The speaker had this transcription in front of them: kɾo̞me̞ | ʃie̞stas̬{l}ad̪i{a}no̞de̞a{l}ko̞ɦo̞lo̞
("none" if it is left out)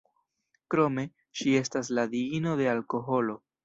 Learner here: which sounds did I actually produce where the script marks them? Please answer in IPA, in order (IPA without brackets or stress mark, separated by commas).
l, i, l